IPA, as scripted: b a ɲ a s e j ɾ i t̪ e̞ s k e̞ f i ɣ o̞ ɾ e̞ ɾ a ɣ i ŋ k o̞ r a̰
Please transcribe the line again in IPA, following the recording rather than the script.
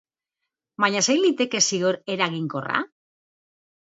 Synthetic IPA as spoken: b a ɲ a s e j l i t̪ e̞ k e̞ s i ɣ o̞ ɾ e̞ ɾ a ɣ i ŋ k o̞ r a̰